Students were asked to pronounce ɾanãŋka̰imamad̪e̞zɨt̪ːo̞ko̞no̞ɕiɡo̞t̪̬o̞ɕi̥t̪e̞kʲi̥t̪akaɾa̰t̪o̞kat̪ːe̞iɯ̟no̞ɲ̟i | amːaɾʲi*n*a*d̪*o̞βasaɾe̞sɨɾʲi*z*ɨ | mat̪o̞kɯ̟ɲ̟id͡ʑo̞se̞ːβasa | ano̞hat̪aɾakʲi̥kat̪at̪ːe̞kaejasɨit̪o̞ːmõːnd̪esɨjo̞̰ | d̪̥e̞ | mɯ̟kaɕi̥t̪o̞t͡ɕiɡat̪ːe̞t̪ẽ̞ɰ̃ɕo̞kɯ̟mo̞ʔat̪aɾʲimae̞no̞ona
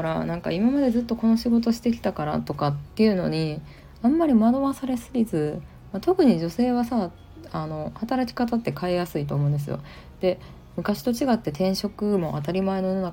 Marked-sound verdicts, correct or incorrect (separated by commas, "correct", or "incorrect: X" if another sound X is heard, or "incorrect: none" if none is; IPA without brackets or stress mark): incorrect: m, correct, correct